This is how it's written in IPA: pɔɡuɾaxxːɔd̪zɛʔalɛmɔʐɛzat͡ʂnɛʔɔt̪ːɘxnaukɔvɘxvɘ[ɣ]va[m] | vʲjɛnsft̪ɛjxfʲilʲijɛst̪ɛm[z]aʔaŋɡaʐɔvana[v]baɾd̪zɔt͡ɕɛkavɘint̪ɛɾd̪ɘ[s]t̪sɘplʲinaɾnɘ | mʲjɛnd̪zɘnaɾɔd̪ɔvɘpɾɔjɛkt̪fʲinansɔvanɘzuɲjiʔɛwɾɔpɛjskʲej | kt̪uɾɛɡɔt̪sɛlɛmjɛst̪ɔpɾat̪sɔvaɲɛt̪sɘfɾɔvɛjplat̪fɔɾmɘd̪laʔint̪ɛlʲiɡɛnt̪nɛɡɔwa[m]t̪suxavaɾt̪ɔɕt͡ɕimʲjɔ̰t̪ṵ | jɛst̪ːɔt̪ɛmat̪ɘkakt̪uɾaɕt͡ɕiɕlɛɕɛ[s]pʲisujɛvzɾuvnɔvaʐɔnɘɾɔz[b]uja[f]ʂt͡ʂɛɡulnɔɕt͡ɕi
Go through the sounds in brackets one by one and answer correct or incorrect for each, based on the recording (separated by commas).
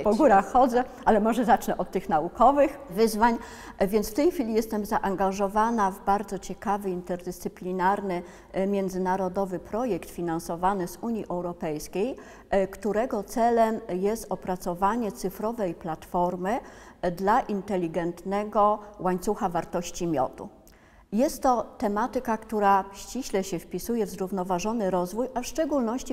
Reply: incorrect, incorrect, correct, correct, correct, incorrect, incorrect, incorrect, correct